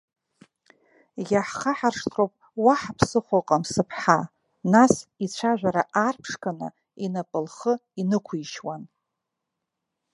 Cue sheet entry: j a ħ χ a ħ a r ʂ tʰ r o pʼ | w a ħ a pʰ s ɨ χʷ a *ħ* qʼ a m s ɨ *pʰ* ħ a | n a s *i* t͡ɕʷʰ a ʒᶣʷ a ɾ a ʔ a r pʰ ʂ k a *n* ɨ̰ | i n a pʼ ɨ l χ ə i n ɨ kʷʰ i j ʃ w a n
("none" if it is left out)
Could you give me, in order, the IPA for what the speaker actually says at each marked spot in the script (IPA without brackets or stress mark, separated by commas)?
none, pʰ, i, n